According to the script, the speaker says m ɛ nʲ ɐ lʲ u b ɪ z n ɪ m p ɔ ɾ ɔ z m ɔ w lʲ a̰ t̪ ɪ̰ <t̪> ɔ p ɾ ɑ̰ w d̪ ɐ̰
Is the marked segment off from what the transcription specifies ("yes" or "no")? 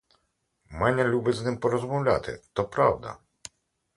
no